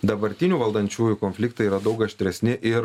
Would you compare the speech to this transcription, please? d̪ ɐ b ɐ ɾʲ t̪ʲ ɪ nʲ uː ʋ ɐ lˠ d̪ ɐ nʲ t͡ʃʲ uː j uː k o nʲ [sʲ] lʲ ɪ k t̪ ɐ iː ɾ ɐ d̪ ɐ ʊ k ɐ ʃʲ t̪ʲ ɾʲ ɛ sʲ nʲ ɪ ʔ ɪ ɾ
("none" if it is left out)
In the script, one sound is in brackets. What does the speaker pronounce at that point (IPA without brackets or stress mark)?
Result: fʲ